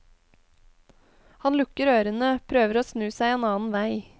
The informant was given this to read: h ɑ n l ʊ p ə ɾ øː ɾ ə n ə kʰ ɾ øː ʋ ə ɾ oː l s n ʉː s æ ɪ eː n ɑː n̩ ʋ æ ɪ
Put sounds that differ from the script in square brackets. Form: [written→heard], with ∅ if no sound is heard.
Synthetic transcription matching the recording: h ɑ n l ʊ [p→k] ə ɾ øː ɾ ə n ə [kʰ→pʰ] ɾ øː ʋ ə ɾ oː [l→∅] s n ʉː s æ ɪ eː n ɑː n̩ ʋ æ ɪ